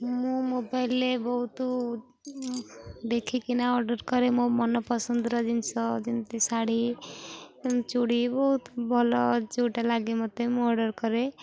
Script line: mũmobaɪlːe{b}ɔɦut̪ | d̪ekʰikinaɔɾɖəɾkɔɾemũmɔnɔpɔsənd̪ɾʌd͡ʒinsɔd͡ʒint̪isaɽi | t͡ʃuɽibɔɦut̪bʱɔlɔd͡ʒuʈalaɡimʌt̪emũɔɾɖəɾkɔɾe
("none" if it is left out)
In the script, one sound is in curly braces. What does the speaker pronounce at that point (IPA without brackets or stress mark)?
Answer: b